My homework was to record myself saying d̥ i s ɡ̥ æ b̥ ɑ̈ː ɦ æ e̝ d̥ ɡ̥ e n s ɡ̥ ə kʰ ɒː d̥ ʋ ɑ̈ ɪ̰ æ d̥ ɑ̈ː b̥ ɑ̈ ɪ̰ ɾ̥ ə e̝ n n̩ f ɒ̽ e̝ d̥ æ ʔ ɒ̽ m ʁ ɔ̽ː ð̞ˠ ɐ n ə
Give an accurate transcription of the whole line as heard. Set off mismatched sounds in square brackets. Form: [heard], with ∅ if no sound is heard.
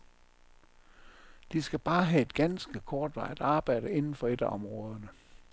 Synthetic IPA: d̥ i s ɡ̥ æ b̥ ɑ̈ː ɦ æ e̝ d̥ ɡ̥ [æ] n s ɡ̥ ə kʰ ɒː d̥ ʋ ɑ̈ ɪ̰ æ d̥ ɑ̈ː b̥ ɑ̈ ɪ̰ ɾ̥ ə e̝ n n̩ f ɒ̽ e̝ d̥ æ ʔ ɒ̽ m ʁ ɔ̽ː ð̞ˠ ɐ n ə